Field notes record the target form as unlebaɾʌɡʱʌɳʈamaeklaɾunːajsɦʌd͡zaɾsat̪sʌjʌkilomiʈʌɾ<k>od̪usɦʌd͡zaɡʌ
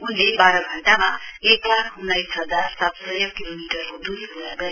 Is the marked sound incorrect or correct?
correct